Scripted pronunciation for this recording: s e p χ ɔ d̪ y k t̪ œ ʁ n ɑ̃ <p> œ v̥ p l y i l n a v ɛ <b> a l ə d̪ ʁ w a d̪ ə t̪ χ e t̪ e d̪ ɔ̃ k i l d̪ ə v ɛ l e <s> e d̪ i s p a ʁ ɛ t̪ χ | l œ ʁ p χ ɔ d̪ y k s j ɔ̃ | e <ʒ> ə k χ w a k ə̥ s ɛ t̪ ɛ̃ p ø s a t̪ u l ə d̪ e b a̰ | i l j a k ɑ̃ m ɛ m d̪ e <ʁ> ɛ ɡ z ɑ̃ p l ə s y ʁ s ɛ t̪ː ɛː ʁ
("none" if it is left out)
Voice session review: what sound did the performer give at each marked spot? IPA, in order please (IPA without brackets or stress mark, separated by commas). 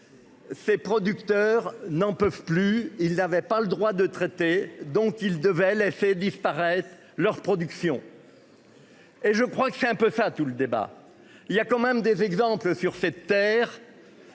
p, p, s, ʒ, z